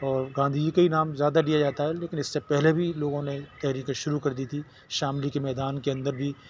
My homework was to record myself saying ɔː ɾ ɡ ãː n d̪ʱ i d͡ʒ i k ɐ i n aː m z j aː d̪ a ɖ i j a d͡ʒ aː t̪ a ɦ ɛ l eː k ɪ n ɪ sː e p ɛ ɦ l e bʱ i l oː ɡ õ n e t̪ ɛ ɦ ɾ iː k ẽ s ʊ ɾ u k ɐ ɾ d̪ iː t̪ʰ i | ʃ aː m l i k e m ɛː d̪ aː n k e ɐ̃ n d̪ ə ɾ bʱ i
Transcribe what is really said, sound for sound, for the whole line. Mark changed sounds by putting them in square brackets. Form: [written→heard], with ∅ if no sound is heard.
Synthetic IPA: ɔː ɾ ɡ ãː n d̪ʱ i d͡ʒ i k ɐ i n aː m z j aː d̪ a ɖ i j a d͡ʒ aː t̪ a ɦ ɛ l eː k ɪ n ɪ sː e p ɛ ɦ l e bʱ i l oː ɡ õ n e t̪ ɛ ɦ ɾ iː k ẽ [s→ʃ] ʊ ɾ u k ɐ ɾ d̪ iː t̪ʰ i | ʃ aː m l i k e m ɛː d̪ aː n k e ɐ̃ n d̪ ə ɾ bʱ i